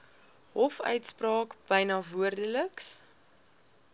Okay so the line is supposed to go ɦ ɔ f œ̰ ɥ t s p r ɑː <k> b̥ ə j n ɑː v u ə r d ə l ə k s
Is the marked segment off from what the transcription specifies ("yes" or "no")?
no